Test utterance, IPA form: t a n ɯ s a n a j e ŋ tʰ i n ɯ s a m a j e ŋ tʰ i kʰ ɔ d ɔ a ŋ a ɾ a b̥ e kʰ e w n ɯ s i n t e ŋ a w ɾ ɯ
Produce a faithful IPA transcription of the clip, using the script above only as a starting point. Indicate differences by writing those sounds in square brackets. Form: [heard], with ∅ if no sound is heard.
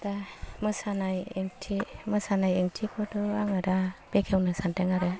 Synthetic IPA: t a [m] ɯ s a n a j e ŋ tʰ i [m] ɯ s a [n] a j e ŋ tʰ i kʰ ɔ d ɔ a ŋ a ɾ a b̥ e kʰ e w n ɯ s [a] n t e ŋ a [∅] ɾ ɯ